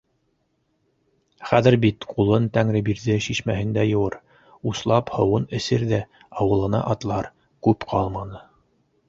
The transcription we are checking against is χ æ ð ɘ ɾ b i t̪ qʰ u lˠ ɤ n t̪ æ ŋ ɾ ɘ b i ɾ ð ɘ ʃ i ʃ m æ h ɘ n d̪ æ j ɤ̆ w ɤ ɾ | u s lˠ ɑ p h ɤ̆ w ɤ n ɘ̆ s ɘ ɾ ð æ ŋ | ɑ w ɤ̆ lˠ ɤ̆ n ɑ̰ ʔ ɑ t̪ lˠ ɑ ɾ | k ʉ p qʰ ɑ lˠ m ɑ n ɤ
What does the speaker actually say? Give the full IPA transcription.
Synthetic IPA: χ æ ð ɘ ɾ b i t̪ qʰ u lˠ ɤ n t̪ æ ŋ ɾ ɘ b i ɾ ð ɘ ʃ i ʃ m æ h ɘ n d̪ æ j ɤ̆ w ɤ ɾ | u s lˠ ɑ p h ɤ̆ w ɤ n ɘ̆ s ɘ ɾ ð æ | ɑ w ɤ̆ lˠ ɤ̆ n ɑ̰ ʔ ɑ t̪ lˠ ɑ ɾ | k ʉ p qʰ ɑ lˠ m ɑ n ɤ